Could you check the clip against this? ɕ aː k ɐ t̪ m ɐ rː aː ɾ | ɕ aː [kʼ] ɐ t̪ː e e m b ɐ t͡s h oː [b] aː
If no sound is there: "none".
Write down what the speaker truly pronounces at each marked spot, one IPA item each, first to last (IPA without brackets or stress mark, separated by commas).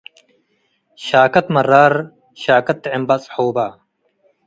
k, b